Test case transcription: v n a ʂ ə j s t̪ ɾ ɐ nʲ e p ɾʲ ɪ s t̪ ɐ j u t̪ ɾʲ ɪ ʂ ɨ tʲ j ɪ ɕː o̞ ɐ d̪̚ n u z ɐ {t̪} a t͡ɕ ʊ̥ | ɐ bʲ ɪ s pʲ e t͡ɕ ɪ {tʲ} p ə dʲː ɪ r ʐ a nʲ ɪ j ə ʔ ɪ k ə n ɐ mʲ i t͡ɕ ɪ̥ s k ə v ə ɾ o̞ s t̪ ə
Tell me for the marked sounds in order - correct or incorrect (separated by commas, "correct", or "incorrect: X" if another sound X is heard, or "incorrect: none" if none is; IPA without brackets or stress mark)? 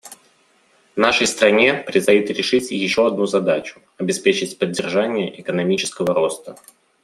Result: incorrect: d̪, correct